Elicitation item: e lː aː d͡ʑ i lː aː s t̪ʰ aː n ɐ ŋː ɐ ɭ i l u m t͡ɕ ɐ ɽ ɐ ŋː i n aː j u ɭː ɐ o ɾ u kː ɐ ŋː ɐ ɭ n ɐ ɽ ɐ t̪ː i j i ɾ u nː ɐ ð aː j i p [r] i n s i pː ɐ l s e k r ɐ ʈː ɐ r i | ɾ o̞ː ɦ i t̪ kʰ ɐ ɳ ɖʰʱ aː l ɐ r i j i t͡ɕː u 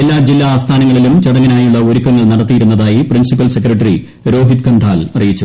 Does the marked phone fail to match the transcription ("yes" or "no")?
no